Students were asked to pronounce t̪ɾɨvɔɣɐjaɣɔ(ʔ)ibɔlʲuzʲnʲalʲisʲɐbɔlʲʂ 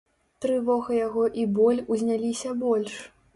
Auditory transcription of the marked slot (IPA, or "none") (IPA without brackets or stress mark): ʔ